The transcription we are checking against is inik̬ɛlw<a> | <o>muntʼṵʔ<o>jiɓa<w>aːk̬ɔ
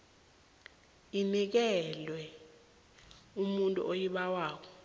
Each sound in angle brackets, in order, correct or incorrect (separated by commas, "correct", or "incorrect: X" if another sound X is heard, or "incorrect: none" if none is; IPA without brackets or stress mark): incorrect: ɛ, incorrect: u, correct, correct